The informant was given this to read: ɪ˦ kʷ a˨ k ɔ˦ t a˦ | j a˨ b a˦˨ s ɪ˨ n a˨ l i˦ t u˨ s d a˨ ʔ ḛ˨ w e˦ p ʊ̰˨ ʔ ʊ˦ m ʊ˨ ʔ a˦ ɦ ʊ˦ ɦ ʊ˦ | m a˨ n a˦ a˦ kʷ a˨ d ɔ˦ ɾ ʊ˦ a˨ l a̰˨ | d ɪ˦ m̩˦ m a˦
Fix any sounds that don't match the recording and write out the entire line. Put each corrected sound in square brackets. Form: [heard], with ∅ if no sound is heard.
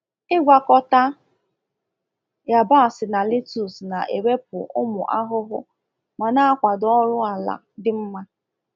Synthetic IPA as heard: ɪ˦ [ɡʷ] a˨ k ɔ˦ t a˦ | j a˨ b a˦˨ s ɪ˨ n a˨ l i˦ t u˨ s [n] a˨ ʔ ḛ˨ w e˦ p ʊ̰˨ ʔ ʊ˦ m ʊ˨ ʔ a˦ ɦ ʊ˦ ɦ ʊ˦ | m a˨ n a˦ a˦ kʷ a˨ d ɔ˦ ɾ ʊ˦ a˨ l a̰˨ | d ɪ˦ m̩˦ m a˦